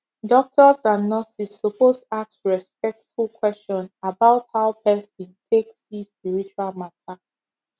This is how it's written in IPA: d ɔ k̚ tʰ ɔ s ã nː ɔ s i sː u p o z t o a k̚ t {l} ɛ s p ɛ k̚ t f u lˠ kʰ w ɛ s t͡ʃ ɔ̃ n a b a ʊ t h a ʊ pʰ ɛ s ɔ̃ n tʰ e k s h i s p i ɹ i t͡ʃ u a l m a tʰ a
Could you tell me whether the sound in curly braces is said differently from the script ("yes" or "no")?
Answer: yes